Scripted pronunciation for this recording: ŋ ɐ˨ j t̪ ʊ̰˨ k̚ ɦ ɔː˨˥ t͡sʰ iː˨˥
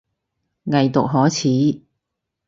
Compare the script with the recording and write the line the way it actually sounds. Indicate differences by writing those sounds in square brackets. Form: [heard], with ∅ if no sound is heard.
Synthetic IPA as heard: ŋ ɐ˨ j t̪ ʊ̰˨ k̚ ɦ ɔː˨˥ t͡sʰ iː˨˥